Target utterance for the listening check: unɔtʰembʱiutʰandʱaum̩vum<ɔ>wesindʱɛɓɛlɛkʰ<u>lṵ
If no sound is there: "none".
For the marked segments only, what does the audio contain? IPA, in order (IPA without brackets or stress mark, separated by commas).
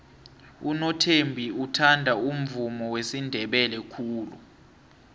ɔ, uː